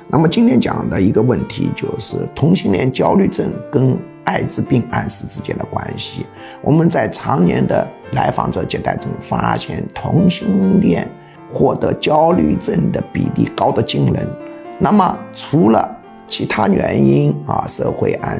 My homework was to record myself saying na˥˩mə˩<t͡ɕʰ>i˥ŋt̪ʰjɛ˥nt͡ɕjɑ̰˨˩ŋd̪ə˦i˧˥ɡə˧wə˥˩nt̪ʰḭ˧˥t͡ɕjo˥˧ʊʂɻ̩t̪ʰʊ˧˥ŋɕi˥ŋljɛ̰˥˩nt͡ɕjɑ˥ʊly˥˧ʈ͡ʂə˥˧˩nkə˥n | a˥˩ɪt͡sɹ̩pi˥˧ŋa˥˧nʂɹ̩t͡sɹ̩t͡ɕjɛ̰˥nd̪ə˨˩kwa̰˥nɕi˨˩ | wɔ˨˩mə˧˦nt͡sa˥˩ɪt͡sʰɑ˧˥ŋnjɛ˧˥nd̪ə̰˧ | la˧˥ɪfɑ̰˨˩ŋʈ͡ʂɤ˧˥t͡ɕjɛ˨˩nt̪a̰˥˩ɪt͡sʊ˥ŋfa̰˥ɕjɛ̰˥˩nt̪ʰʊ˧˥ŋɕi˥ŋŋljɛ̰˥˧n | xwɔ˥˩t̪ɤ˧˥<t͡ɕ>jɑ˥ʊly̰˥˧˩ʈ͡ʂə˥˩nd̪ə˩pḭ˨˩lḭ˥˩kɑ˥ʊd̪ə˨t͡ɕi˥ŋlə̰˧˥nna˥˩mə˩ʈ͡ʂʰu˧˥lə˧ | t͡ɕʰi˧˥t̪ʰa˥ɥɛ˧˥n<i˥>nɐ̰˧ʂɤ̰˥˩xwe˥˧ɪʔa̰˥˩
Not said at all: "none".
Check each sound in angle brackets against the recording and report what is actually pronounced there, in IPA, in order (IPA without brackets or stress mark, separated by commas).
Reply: t͡ɕ, t͡ɕ, i˥